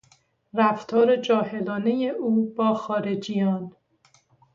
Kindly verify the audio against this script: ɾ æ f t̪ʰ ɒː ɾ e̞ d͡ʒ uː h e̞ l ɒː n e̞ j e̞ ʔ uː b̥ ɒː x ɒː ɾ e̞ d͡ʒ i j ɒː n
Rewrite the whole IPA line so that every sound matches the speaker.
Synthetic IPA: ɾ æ f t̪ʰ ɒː ɾ e̞ d͡ʒ ɒː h e̞ l ɒː n e̞ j e̞ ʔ uː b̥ ɒː x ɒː ɾ e̞ d͡ʒ i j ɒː n